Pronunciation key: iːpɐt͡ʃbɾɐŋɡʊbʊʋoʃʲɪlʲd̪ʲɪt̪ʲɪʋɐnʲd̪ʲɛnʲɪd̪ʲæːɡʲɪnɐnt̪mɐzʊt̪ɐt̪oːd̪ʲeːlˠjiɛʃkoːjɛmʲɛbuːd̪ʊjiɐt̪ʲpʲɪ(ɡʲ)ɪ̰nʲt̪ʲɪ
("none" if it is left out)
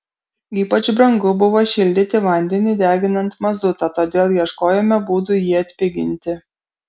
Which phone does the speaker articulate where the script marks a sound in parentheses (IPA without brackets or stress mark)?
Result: ɡʲ